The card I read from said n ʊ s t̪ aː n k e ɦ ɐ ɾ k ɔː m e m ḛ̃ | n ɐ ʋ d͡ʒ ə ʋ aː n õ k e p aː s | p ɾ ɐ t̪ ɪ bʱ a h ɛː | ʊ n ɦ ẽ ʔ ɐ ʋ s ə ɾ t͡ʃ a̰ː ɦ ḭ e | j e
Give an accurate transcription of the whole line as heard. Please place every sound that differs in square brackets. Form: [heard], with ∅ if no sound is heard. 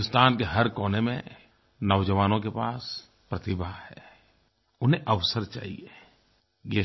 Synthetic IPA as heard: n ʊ s t̪ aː n k e ɦ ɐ ɾ k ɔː [n] e m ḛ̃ | n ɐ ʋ d͡ʒ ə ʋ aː n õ k e p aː s | p ɾ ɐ t̪ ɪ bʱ a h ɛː | ʊ n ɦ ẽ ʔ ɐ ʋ s ə ɾ t͡ʃ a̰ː ɦ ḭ e | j e